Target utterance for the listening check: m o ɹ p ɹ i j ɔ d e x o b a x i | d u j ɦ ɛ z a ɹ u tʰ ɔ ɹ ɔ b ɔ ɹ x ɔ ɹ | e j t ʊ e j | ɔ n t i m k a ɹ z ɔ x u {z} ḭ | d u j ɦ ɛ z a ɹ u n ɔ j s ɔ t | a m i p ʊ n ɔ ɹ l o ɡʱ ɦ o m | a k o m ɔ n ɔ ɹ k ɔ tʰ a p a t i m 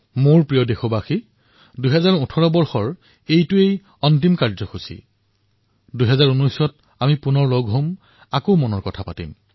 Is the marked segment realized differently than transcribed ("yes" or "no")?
yes